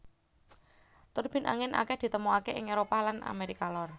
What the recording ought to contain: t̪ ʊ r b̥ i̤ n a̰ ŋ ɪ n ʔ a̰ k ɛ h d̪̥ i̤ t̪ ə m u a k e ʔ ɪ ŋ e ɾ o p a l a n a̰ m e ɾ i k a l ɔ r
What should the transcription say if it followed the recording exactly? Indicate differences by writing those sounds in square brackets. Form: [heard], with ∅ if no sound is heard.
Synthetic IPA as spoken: t̪ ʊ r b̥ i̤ n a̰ ŋ ɪ n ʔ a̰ k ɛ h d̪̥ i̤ t̪ ə m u a k e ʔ ɪ ŋ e ɾ o p a l a n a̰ m e ɾ i k a l ɔ r